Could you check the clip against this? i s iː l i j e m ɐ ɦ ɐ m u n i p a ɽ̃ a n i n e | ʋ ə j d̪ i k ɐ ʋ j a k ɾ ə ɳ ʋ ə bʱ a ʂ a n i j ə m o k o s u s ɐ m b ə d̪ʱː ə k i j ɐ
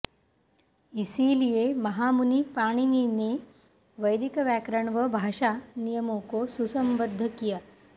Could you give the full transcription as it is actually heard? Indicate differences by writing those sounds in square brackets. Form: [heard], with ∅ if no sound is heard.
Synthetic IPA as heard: i s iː l i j e m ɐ ɦ [a] m u n i p a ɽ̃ [i] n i n e | ʋ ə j d̪ i k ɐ ʋ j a k ɾ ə ɳ ʋ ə bʱ a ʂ a n i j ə m o k o s u s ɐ m b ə d̪ʱː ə k i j [a]